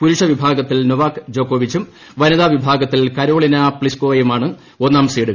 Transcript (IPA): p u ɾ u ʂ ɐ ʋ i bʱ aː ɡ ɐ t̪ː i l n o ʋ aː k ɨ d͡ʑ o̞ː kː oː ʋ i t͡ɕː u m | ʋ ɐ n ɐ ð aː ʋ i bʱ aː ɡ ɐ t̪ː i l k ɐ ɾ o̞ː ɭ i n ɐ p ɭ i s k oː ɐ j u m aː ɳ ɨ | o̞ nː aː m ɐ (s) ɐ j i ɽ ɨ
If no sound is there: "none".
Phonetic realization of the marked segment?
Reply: s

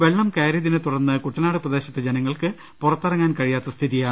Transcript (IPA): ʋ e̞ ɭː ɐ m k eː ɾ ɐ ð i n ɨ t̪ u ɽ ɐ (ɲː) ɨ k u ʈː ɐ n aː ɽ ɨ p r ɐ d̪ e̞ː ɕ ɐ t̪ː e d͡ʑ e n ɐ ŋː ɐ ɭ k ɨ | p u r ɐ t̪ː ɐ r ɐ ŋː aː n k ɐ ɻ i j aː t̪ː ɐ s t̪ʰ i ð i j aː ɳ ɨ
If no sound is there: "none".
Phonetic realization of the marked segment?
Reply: nː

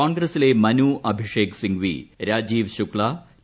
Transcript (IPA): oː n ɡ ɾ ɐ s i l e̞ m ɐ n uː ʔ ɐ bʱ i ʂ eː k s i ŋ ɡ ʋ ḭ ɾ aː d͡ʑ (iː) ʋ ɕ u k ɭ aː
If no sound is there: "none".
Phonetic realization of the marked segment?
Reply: iː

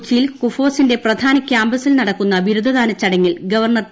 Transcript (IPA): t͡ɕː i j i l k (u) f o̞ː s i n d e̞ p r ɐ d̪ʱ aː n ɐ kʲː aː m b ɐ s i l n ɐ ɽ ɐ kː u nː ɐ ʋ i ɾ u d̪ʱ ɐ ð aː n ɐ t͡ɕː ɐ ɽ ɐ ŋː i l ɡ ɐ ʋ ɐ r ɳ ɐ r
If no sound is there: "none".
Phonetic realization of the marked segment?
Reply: u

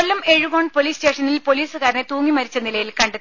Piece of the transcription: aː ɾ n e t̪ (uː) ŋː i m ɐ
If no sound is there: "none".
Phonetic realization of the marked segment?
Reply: uː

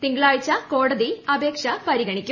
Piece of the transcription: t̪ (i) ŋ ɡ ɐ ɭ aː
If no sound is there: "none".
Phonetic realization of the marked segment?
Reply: i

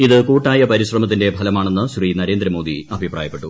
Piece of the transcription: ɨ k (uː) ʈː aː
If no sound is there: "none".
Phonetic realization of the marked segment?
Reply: uː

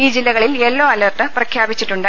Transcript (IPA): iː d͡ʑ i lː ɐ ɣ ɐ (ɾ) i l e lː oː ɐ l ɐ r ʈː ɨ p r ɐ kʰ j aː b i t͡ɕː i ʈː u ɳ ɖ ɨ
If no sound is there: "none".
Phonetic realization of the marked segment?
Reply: ɭ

